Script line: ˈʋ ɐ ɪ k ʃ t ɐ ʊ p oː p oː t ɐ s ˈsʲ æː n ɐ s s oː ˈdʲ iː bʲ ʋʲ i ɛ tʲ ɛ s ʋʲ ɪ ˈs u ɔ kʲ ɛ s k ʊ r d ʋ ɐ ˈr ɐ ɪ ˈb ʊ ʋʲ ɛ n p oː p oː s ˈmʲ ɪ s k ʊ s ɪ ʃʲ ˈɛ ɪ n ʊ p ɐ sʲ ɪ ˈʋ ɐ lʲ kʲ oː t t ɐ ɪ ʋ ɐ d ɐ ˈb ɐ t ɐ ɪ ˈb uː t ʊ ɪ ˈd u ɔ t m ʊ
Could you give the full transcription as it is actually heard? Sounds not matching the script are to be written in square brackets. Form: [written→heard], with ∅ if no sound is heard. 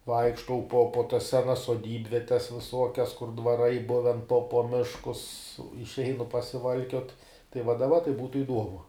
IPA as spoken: ˈʋ ɐ ɪ k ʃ t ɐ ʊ p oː p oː t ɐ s ˈsʲ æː n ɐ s s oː ˈdʲ iː bʲ ʋʲ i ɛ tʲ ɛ s ʋʲ ɪ ˈs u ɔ kʲ ɛ s k ʊ r d ʋ ɐ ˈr ɐ ɪ ˈb ʊ ʋʲ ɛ n p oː p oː [s→∅] ˈmʲ ɪ [s→ʃ] k ʊ s ɪ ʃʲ ˈɛ ɪ n ʊ p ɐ sʲ ɪ ˈʋ ɐ lʲ kʲ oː t t ɐ ɪ ʋ ɐ d ɐ ˈb ɐ t ɐ ɪ ˈb uː t ʊ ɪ ˈd u ɔ [t→∅] m ʊ